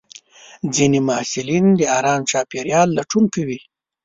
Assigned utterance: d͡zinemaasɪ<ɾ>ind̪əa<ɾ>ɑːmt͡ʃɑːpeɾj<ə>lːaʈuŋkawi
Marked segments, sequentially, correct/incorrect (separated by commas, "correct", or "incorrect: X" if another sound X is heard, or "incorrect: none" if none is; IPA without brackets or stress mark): incorrect: l, correct, incorrect: ɑ